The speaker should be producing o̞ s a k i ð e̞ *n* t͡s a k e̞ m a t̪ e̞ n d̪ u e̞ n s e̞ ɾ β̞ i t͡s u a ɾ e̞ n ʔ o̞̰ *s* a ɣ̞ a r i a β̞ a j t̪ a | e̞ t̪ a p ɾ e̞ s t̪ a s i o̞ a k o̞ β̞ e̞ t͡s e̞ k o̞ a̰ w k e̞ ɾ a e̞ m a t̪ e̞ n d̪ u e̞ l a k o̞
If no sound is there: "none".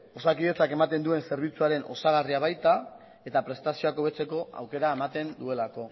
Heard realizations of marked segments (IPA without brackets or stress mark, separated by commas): none, s